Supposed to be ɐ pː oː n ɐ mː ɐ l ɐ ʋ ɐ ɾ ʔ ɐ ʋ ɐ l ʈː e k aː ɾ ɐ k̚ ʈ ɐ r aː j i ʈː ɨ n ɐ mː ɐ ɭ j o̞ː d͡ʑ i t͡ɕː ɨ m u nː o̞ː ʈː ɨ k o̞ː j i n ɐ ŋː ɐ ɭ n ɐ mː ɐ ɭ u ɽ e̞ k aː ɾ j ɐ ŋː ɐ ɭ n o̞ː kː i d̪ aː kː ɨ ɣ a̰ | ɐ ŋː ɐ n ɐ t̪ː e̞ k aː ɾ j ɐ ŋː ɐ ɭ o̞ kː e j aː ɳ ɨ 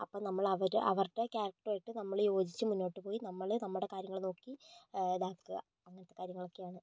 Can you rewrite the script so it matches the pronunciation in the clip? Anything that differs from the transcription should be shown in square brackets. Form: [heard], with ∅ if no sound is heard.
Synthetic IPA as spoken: ɐ pː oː n ɐ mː ɐ [ɭ] ɐ ʋ ɐ ɾ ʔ ɐ ʋ ɐ [r] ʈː e k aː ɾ ɐ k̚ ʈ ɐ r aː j i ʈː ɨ n ɐ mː ɐ ɭ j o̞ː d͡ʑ i t͡ɕː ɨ m u nː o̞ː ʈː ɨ [p] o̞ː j i n ɐ [mː] ɐ ɭ n ɐ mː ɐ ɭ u ɽ e̞ k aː ɾ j ɐ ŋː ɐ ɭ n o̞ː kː i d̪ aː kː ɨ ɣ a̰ | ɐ ŋː ɐ n ɐ t̪ː e̞ k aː ɾ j ɐ ŋː ɐ ɭ o̞ kː e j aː ɳ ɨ